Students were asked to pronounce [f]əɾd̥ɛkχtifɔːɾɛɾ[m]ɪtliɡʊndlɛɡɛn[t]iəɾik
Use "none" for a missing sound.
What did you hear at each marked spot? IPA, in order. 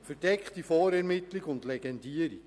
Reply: f, m, d

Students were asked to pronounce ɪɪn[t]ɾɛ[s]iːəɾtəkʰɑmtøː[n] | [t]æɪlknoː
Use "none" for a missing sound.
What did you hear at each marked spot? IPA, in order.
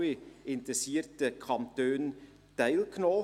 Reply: t, s, n, t

